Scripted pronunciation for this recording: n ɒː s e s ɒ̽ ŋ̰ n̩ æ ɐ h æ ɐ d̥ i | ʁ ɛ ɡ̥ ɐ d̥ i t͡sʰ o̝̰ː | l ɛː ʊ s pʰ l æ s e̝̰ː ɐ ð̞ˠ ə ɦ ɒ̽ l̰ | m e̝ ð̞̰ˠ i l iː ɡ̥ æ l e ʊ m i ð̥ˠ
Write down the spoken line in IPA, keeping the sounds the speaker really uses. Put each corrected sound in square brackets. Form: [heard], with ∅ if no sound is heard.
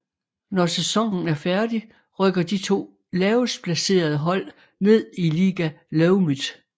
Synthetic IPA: n [ɒ] s e s ɒ̽ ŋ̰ n̩ æ ɐ [f] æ ɐ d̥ i | ʁ [œ] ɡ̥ ɐ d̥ i t͡sʰ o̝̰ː | l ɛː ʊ s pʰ l æ s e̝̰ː ɐ ð̞ˠ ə ɦ ɒ̽ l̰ | [n] e̝ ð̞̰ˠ i l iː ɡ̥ æ l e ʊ m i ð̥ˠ